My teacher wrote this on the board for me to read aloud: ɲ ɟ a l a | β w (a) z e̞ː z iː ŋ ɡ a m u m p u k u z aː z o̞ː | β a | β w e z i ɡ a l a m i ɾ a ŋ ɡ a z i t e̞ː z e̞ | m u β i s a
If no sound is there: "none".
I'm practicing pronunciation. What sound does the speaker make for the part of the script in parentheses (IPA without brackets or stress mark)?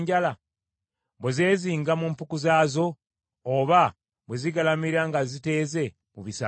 e